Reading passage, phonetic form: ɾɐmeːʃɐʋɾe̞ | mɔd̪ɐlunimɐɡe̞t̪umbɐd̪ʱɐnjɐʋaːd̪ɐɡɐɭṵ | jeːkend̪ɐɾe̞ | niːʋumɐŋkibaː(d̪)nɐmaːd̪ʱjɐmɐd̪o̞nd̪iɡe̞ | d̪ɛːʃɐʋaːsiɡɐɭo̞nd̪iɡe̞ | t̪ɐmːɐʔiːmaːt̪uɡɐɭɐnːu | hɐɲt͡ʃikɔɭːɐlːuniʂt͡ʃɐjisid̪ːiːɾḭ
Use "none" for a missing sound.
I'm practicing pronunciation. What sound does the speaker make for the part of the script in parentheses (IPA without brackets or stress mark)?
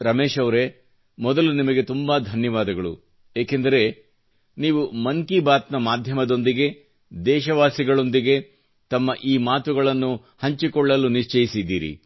t̪